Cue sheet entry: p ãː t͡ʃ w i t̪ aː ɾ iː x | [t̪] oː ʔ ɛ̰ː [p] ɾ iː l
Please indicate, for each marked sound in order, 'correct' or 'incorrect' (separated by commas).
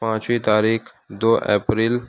incorrect, correct